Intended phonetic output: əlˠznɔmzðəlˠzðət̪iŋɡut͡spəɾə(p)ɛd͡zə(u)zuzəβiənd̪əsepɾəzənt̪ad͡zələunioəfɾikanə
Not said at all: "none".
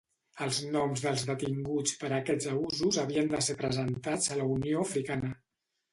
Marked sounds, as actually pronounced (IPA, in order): k, u

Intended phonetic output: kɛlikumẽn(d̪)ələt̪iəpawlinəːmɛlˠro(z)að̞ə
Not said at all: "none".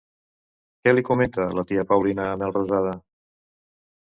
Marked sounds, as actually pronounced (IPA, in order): t̪, z

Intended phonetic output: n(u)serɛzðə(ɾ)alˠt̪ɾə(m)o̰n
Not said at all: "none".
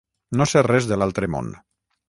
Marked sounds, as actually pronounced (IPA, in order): o, l, m

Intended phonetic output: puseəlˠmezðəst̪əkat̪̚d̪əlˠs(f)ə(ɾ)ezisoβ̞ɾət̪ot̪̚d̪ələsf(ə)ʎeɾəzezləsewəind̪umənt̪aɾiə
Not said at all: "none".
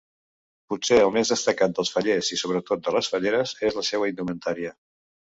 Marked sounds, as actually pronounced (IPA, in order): f, ʎ, ə

